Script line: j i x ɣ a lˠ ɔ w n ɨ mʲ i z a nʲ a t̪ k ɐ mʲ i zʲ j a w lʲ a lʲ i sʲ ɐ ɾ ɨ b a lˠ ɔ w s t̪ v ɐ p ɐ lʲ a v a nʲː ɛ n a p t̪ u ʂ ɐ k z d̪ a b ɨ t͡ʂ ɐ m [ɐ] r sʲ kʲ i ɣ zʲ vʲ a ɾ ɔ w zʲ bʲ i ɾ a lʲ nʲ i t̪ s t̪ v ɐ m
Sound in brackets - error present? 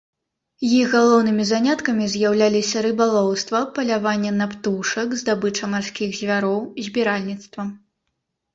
yes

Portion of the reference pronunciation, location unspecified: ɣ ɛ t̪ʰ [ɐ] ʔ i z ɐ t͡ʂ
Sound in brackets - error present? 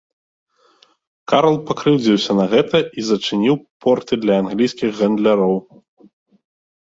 no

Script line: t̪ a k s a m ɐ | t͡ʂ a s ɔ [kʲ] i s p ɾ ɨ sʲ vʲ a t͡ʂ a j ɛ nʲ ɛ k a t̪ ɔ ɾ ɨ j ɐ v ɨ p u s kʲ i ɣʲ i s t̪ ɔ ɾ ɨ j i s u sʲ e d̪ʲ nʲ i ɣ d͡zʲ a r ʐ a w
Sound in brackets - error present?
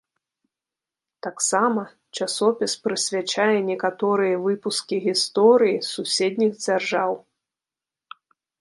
yes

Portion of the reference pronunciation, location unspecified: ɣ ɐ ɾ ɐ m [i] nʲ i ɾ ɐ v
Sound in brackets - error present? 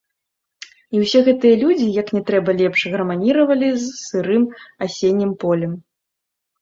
yes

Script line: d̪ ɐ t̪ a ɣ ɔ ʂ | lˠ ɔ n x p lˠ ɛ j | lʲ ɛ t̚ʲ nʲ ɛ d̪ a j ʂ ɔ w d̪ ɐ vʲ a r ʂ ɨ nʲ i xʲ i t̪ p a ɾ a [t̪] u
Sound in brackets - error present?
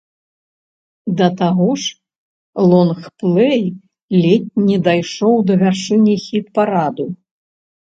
yes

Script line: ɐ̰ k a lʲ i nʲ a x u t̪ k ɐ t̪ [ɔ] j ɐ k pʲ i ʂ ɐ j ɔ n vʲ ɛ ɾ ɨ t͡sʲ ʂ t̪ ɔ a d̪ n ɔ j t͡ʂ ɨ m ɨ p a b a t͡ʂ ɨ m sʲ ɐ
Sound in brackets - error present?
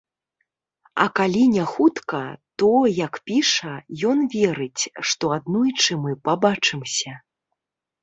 no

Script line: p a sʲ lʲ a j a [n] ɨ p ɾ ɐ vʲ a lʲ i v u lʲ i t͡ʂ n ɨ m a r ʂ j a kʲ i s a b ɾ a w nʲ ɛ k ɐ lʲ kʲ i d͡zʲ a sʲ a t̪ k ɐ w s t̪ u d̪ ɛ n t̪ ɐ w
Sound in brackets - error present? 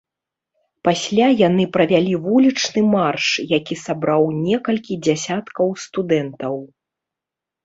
no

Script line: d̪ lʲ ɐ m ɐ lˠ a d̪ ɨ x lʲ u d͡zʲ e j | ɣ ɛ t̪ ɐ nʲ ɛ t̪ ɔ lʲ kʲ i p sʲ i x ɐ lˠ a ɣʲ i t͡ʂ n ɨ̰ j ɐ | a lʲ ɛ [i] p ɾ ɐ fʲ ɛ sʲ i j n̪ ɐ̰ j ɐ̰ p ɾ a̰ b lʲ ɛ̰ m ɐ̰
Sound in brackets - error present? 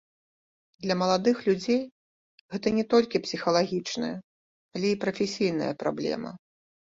no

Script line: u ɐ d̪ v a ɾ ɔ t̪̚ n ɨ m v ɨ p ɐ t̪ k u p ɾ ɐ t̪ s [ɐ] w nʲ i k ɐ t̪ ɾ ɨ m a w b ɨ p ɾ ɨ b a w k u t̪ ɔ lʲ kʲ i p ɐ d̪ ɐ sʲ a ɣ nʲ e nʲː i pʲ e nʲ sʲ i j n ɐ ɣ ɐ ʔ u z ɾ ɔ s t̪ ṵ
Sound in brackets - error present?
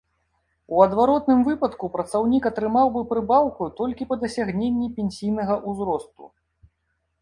yes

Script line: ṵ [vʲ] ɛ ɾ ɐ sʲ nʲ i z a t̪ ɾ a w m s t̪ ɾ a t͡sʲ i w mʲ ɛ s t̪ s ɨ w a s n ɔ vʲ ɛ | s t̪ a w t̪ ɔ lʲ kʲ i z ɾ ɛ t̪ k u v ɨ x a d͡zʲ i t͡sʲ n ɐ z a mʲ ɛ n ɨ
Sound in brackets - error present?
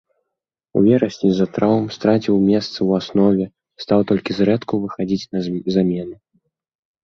no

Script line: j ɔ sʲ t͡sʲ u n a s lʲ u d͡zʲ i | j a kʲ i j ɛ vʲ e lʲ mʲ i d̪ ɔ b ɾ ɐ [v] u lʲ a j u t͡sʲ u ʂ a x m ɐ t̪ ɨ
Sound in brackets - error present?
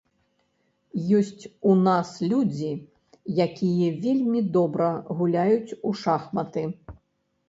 yes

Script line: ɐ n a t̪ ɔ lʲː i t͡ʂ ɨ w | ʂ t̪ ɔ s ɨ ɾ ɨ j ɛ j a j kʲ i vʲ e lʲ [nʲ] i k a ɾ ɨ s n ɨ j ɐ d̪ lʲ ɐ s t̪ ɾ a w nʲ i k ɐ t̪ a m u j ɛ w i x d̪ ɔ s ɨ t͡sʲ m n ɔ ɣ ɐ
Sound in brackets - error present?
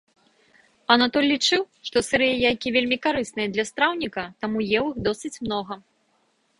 yes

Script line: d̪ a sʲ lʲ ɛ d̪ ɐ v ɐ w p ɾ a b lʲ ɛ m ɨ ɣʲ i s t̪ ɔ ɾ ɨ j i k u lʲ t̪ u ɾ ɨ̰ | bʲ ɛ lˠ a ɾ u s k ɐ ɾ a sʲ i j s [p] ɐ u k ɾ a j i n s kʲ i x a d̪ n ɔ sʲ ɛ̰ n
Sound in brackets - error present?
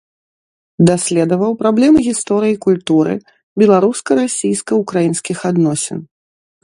yes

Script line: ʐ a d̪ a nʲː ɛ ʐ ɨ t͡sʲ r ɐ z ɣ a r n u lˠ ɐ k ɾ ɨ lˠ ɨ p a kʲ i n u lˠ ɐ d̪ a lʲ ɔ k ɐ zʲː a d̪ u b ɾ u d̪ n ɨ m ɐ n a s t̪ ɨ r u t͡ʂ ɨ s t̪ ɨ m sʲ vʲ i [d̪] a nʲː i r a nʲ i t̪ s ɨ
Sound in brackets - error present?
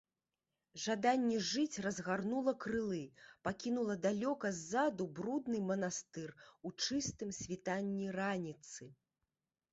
yes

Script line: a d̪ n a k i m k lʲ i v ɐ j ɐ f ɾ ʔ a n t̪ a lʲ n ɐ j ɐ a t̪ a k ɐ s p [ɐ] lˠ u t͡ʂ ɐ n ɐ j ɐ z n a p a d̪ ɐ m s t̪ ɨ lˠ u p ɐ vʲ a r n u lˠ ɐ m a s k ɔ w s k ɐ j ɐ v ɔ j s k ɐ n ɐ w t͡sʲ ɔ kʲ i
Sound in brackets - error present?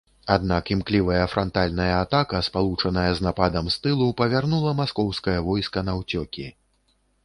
yes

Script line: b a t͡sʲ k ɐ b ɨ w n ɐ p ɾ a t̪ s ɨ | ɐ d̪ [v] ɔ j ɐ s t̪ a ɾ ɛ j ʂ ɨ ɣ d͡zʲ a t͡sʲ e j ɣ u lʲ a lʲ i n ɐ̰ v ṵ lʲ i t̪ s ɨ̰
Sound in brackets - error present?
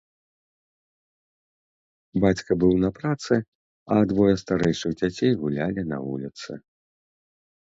no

